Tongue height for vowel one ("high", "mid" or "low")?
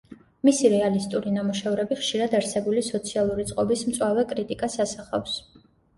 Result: high